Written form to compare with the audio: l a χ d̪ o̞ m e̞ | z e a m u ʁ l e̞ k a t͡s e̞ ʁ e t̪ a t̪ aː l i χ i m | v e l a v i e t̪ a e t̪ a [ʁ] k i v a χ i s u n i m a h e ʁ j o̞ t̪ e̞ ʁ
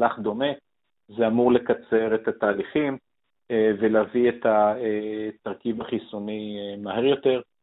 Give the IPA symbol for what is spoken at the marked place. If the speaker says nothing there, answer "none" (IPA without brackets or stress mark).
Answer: ʁ